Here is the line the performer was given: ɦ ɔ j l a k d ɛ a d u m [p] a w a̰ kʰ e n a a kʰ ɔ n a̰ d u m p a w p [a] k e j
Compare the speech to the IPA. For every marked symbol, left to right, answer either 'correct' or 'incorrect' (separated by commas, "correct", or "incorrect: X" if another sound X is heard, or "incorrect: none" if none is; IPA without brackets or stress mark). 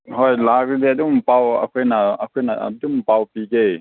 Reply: correct, incorrect: i